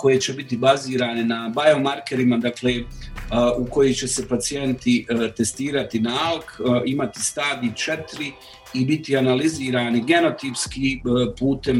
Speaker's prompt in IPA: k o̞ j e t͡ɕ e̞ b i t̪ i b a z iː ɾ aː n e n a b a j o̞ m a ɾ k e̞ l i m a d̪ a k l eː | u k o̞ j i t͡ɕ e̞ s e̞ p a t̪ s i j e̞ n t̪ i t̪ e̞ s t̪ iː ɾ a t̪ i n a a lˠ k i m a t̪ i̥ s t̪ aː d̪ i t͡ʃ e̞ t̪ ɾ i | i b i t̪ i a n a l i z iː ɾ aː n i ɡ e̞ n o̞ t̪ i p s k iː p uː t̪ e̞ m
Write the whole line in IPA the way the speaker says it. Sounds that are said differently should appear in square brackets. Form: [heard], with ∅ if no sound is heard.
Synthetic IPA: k o̞ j e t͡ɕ e̞ b i t̪ i b a z iː ɾ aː n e n a b a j o̞ m a ɾ k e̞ [ɾ] i m a d̪ a k l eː | u k o̞ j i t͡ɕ e̞ s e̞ p a t̪ s i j e̞ n t̪ i t̪ e̞ s t̪ iː ɾ a t̪ i n a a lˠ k i m a t̪ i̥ s t̪ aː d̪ i t͡ʃ e̞ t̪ ɾ i | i b i t̪ i a n a l i z iː ɾ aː n i ɡ e̞ n o̞ t̪ i p s k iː p uː t̪ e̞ m